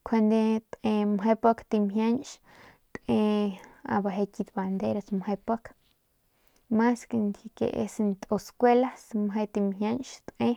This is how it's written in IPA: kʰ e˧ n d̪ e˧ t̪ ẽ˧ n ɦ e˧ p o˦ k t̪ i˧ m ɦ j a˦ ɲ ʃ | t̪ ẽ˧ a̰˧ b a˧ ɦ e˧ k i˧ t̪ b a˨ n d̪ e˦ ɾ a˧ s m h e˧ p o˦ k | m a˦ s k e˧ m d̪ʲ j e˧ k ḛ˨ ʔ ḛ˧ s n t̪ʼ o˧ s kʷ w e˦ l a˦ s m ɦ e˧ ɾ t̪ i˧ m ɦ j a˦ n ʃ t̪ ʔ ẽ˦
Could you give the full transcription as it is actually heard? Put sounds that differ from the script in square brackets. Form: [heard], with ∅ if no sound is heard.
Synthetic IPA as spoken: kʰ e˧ n d̪ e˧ t̪ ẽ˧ [m] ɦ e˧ p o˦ k t̪ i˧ m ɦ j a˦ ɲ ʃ | t̪ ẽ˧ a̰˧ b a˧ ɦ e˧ k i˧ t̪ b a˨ n d̪ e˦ ɾ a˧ s m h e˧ p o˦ k | m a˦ s k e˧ [n] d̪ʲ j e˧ k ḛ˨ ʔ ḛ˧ s n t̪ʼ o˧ s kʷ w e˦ l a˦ s m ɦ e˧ [∅] t̪ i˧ m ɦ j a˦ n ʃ t̪ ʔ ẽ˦